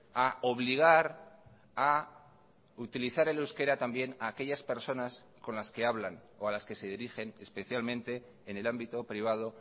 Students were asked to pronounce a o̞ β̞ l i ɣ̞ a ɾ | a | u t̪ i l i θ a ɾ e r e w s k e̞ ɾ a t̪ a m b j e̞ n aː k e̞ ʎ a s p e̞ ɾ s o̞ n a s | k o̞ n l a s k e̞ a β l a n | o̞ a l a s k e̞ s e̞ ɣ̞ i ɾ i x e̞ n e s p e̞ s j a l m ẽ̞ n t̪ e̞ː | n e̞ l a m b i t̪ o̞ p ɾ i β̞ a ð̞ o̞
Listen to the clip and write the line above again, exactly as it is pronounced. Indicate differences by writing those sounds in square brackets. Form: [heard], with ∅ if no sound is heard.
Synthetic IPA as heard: a o̞ β̞ l i ɣ̞ a ɾ | a | u t̪ i l i θ a ɾ e [l] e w s k e̞ ɾ a t̪ a m b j e̞ n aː k e̞ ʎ a s p e̞ ɾ s o̞ n a s | k o̞ n l a s k e̞ a β l a n | o̞ a l a s k e̞ s e̞ [ð̞] i ɾ i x e̞ n e s p e̞ [θ] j a l m ẽ̞ n t̪ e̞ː | n e̞ l a m b i t̪ o̞ p ɾ i β̞ a ð̞ o̞